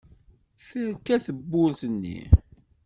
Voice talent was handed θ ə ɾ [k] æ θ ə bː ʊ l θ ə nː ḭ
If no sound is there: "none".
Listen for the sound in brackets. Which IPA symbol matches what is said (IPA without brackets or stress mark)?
k